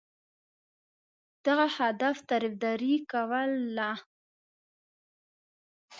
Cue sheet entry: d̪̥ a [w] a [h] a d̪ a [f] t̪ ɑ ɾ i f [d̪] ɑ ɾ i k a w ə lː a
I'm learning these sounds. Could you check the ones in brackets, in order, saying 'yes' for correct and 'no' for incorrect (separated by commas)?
no, yes, yes, yes